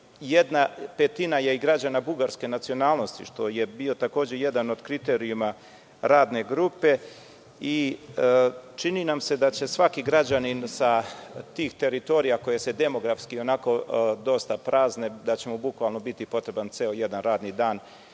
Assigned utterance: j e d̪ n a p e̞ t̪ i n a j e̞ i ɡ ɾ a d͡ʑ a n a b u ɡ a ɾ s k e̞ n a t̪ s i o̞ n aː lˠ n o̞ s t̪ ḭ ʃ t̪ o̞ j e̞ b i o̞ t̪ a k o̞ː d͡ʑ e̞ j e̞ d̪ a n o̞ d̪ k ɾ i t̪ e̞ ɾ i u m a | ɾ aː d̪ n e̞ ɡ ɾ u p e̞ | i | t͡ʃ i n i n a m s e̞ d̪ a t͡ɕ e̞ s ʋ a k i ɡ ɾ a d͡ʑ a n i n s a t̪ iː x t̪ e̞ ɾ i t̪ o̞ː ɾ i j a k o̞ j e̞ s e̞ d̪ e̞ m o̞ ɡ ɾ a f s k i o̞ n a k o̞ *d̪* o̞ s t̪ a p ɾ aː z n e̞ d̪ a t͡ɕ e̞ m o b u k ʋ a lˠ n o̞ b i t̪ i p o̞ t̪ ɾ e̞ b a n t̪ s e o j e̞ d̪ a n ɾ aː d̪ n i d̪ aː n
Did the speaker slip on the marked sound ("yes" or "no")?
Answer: no